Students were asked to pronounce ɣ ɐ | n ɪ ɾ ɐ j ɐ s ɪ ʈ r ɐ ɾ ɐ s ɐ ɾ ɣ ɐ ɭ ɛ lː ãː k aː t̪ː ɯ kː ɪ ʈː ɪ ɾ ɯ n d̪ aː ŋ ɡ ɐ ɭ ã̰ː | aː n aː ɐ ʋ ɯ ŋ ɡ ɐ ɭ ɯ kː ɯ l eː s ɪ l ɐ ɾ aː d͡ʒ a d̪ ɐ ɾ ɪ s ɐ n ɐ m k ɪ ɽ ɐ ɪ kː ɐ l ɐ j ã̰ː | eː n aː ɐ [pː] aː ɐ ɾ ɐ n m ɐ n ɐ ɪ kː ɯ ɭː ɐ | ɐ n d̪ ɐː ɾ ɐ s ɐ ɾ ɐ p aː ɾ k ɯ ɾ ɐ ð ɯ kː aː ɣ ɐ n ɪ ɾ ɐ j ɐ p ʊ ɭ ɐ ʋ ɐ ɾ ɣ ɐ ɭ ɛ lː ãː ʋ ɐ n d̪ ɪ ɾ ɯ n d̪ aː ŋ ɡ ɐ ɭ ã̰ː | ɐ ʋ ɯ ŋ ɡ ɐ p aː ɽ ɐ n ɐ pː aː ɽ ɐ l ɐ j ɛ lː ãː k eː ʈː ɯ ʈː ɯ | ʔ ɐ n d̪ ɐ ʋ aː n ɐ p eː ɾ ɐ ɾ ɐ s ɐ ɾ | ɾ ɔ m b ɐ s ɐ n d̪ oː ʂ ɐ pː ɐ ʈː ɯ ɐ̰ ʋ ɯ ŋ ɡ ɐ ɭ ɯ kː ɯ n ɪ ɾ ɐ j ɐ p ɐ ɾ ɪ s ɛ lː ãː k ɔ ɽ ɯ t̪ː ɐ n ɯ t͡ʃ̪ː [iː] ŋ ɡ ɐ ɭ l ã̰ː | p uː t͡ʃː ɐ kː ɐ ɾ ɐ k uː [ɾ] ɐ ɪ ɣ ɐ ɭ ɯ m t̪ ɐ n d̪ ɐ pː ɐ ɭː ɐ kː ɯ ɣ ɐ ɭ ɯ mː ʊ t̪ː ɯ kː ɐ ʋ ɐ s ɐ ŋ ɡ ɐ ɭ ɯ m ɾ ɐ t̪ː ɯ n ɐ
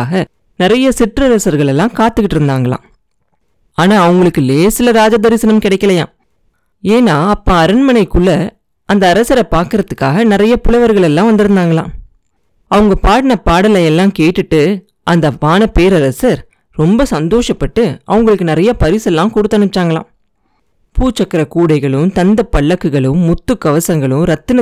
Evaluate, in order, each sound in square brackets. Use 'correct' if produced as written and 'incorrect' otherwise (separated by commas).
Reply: correct, incorrect, incorrect